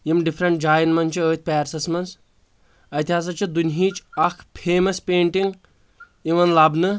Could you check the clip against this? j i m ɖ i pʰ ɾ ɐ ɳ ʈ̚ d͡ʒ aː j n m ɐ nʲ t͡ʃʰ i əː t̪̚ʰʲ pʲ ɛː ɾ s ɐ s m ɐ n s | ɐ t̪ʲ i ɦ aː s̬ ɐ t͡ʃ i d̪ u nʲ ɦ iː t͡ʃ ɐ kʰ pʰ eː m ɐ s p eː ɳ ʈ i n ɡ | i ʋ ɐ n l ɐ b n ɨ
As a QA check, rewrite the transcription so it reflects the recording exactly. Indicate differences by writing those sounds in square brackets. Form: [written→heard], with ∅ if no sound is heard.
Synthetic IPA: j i m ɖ i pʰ ɾ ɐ ɳ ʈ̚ d͡ʒ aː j n m ɐ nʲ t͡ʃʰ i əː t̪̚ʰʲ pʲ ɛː ɾ s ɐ s m ɐ n s | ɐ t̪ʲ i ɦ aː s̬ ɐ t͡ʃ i d̪ u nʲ ɦ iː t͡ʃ ɐ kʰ pʰ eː m ɐ s p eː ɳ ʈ i [n→ŋ] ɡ | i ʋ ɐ n l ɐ b n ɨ